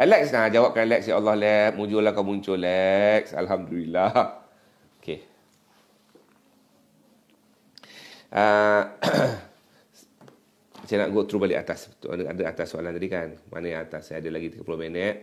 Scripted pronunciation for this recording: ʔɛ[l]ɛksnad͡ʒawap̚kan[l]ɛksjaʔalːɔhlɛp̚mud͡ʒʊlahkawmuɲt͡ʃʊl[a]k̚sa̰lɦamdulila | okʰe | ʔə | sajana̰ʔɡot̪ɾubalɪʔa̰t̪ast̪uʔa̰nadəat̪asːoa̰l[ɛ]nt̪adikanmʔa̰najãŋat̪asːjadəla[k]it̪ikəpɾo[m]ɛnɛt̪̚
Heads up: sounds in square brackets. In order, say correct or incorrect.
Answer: correct, correct, incorrect: ɛ, incorrect: a, incorrect: ɡ, correct

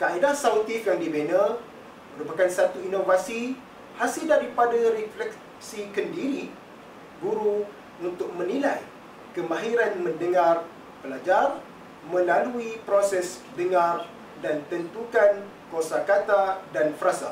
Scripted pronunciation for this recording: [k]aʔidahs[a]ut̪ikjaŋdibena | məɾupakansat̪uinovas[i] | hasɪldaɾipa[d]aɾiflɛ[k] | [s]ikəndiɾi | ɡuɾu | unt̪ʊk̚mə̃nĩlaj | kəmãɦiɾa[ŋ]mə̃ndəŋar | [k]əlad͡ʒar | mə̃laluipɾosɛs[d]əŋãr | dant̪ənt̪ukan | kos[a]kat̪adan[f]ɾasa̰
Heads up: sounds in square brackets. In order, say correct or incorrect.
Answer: correct, correct, correct, correct, correct, correct, incorrect: n, incorrect: p, correct, correct, correct

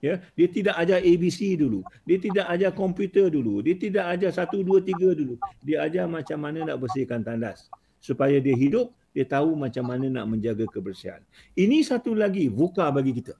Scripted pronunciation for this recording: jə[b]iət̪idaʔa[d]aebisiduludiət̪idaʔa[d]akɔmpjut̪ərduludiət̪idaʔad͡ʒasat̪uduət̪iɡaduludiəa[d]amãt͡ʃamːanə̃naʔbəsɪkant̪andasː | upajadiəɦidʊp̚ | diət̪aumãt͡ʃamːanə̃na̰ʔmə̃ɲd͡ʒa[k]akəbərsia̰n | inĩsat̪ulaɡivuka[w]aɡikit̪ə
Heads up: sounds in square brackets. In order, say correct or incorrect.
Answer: incorrect: d, incorrect: d͡ʒ, incorrect: d͡ʒ, incorrect: d͡ʒ, incorrect: ɡ, incorrect: b

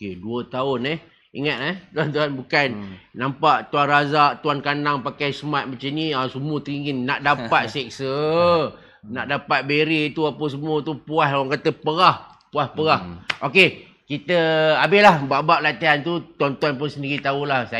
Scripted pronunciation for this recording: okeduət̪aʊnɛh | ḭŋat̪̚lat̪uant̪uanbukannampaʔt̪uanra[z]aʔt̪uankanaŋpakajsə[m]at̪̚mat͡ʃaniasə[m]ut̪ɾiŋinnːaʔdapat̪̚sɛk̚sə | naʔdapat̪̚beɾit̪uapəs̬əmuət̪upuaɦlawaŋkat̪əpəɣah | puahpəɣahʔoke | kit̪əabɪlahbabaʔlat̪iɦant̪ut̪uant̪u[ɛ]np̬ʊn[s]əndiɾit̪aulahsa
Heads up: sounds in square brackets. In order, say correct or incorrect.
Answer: correct, correct, correct, incorrect: a, correct

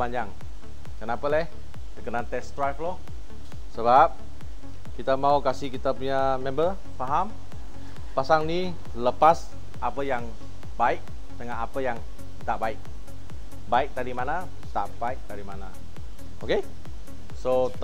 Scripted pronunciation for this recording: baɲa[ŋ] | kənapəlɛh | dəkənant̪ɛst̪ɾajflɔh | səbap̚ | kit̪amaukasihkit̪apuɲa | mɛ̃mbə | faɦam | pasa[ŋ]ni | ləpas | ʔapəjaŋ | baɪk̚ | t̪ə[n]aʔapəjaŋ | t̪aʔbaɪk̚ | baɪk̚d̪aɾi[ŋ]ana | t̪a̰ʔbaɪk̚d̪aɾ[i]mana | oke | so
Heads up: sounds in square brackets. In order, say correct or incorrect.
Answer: correct, correct, incorrect: ŋ, incorrect: m, correct

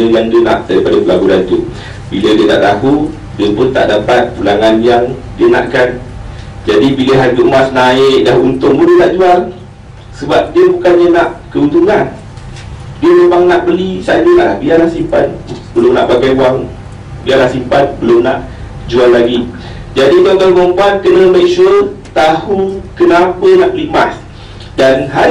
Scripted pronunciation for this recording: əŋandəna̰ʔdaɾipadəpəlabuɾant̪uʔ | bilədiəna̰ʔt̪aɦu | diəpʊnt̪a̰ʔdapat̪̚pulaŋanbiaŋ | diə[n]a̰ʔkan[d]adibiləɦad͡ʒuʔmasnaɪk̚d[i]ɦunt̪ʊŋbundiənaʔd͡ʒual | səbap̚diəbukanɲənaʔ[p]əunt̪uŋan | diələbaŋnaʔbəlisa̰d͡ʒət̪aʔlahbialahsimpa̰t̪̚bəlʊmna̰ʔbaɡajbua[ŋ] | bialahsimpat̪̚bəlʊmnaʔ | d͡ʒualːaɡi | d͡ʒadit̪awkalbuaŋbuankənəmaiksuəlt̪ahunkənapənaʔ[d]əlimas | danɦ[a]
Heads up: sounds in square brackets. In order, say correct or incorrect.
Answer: correct, incorrect: d͡ʒ, incorrect: a, incorrect: k, correct, incorrect: b, correct

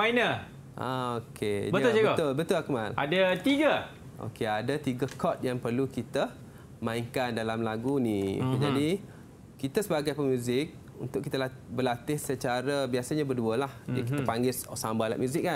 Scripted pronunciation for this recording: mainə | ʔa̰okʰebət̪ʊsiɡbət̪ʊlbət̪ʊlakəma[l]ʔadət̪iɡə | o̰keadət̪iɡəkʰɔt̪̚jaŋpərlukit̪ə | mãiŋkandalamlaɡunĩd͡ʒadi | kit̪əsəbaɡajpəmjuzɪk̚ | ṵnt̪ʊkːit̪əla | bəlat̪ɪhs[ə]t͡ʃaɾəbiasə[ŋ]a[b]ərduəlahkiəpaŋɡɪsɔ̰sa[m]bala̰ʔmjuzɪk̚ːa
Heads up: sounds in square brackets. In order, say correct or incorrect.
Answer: correct, correct, incorrect: ɲ, correct, correct

